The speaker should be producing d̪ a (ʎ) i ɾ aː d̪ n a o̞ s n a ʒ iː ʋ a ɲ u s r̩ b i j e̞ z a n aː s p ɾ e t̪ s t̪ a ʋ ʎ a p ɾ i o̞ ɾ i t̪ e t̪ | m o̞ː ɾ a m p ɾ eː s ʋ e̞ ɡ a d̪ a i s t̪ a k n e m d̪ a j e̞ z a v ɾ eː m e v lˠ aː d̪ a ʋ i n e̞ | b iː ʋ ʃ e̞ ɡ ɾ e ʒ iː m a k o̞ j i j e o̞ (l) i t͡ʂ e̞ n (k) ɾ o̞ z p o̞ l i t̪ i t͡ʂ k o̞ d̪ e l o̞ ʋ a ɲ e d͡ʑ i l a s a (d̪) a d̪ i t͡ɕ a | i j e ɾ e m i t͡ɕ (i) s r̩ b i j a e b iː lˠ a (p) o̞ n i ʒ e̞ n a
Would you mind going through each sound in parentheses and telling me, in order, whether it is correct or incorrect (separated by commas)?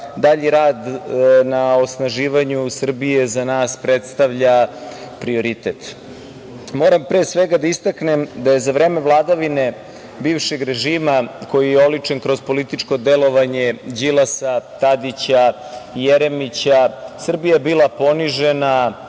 correct, correct, correct, incorrect, incorrect, correct